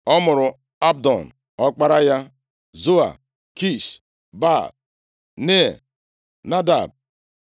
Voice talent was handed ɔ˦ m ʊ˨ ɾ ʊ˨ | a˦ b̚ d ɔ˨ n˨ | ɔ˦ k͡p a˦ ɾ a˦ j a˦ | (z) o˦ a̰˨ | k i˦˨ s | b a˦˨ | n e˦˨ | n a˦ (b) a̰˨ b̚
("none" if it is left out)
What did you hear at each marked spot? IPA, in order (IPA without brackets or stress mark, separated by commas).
z, d